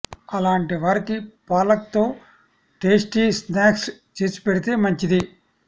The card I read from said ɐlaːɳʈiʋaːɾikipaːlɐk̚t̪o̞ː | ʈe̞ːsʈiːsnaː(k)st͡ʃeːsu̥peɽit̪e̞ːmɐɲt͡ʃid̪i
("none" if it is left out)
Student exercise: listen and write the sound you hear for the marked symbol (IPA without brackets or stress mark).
k